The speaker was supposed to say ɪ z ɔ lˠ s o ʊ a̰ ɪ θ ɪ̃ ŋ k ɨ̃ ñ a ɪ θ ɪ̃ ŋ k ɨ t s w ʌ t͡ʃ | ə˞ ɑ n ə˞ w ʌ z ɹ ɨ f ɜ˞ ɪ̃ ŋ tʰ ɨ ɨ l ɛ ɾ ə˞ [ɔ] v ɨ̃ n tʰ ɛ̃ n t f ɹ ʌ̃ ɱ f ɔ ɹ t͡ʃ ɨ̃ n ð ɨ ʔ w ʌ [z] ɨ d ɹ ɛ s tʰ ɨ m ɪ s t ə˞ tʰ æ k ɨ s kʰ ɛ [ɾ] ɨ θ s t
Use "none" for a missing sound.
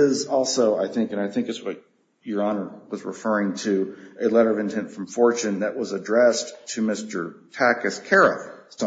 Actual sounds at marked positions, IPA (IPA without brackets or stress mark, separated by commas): ʌ, z, ɹ